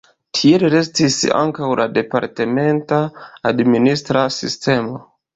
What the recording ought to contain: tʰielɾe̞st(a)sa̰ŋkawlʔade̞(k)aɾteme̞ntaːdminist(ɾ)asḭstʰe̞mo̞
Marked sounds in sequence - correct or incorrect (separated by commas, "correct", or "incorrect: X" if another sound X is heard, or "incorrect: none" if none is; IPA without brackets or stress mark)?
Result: incorrect: i, incorrect: p, correct